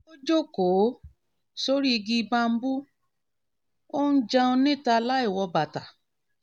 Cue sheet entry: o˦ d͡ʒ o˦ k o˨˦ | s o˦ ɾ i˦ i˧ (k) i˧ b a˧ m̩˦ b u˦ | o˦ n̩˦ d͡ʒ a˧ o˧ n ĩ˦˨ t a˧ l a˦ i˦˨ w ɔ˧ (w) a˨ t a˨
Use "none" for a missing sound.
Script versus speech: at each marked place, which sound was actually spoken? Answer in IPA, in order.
ɡ, b

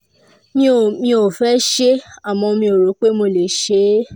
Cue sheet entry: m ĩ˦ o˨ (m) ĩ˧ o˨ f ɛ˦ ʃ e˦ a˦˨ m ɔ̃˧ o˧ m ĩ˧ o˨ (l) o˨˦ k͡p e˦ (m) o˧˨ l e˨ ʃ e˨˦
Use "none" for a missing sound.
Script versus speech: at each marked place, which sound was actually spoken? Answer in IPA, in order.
m, ɾ, m

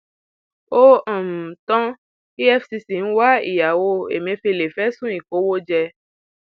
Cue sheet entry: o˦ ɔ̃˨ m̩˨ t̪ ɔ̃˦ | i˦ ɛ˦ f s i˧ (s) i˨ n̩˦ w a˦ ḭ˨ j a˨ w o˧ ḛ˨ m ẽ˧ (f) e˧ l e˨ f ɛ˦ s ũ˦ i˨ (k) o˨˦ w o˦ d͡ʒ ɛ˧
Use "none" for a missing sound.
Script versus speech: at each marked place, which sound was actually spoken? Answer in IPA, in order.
s, f, k

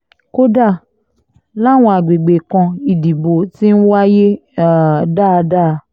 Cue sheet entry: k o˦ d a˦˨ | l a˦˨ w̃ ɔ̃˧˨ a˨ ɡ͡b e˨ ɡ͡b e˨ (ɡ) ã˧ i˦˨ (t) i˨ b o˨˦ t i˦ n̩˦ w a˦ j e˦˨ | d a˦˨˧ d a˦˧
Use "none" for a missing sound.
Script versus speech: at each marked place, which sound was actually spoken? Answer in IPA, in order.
k, d

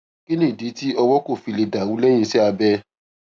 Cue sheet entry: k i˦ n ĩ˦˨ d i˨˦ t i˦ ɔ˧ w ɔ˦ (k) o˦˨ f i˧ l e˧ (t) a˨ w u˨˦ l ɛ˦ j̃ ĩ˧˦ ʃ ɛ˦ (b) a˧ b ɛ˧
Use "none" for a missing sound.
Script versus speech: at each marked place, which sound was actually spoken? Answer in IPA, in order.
k, d, none

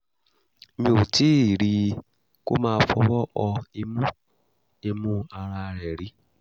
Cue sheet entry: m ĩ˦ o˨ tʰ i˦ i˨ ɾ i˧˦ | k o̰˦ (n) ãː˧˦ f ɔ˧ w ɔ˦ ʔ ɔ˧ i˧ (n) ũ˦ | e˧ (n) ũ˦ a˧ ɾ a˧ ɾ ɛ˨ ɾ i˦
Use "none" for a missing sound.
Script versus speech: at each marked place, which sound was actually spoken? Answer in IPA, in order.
m, m, m

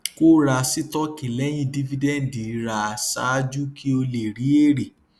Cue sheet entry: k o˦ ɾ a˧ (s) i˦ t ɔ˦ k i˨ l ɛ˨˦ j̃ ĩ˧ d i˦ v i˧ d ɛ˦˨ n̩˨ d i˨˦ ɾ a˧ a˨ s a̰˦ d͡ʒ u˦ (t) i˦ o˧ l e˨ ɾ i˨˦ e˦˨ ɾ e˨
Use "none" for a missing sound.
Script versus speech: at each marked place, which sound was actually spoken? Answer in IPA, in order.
s, k

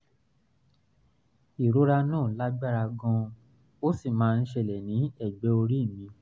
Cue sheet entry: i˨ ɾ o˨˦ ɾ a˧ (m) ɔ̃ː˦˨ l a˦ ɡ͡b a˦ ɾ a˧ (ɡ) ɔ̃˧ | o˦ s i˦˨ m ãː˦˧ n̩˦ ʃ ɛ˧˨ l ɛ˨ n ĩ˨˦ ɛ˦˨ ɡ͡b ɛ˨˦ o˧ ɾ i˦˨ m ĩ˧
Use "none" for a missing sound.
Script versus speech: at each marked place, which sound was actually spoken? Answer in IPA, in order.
n, ɡ

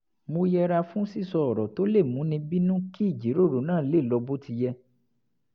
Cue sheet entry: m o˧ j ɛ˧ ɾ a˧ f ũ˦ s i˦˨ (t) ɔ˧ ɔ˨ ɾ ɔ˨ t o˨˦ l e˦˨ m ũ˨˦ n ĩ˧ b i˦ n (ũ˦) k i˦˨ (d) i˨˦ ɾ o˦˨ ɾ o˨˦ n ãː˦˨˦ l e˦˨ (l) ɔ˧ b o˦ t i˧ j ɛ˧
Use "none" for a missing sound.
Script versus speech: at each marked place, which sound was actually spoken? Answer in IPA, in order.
s, ũ˦, d͡ʒ, l

